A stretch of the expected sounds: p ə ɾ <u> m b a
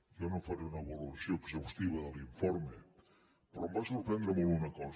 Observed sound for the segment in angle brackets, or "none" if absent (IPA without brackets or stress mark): ɔ